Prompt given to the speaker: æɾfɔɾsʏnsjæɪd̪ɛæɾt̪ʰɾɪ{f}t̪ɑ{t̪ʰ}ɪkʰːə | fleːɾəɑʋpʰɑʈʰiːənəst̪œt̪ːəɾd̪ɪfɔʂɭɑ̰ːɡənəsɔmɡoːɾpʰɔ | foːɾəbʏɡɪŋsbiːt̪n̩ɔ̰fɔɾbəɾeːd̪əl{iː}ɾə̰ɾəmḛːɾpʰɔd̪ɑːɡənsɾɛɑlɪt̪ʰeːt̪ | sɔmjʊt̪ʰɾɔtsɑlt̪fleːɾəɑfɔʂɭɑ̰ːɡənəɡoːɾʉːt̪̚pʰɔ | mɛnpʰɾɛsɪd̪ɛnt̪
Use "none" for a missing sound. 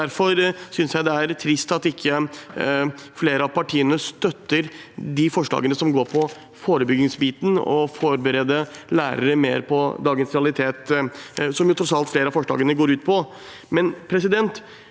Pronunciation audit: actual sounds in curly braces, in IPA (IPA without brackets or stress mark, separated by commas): s, t̪, æː